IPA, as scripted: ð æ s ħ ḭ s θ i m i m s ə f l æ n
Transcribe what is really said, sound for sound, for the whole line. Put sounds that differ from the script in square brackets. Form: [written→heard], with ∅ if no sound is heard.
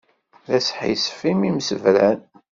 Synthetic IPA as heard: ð æ s ħ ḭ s [θ→f] i m i m s ə [f→v] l æ n